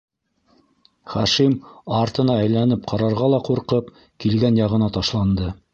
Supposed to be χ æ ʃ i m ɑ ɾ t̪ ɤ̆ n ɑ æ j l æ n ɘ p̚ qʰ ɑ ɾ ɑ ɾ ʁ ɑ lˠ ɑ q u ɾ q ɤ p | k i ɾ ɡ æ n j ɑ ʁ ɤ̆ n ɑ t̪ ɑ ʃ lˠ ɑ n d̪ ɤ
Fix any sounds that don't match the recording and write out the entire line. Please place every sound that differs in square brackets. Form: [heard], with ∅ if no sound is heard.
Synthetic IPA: χ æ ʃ i m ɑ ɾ t̪ ɤ̆ n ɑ æ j l æ n ɘ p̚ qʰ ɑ ɾ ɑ ɾ ʁ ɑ lˠ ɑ q u ɾ q ɤ p | k i [l] ɡ æ n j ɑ ʁ ɤ̆ n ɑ t̪ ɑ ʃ lˠ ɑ n d̪ ɤ